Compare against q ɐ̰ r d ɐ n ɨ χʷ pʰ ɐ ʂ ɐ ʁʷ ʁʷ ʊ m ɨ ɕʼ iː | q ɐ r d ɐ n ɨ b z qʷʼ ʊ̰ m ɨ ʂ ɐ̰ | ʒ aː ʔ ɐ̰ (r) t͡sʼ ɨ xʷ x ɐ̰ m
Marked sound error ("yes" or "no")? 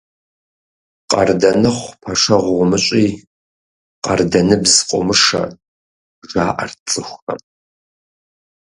no